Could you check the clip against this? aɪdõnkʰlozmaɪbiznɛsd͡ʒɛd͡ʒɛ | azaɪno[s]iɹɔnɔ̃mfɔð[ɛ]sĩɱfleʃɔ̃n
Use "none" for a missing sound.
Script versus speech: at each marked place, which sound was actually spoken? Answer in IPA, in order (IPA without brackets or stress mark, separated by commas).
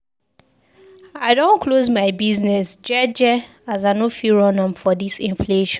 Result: f, i